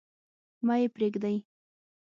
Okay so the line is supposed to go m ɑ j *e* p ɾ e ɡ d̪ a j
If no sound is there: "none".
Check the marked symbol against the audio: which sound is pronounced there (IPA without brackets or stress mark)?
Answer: e